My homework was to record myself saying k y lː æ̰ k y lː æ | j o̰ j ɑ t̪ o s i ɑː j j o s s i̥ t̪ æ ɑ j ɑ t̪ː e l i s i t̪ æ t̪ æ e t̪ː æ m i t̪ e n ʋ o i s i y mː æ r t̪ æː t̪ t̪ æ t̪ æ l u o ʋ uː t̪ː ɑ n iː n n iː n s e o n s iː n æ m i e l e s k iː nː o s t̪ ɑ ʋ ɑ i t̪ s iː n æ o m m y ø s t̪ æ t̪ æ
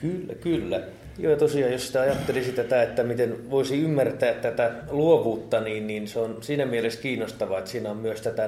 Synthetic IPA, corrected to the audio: k y lː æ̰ k y lː æ | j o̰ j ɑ t̪ o s i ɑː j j o s s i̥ t̪ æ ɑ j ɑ t̪ː e l i s i t̪ æ t̪ æ e t̪ː æ m i t̪ e n ʋ o i s i y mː æ r t̪ æː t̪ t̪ æ t̪ æ l u o ʋ uː t̪ː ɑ n iː n n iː n s e o n s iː n æ m i e l e s k iː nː o s t̪ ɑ ʋ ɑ e t̪ s iː n æ o m m y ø s t̪ æ t̪ æ